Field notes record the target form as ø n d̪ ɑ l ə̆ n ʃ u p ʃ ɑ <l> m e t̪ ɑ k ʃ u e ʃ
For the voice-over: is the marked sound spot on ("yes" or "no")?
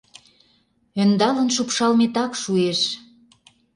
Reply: yes